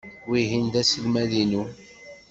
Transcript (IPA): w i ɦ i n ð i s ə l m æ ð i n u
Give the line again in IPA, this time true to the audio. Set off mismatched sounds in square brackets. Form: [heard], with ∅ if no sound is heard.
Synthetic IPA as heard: w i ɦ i n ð [æ] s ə l m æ ð i n u